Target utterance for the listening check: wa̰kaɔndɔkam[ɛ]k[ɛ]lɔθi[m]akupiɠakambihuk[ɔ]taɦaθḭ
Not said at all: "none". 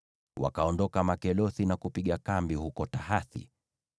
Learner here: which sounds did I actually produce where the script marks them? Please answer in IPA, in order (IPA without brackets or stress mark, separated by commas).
a, ɛ, n, ɔ